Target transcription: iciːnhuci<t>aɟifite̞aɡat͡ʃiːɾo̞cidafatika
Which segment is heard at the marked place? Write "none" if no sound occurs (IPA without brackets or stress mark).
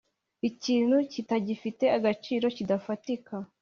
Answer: t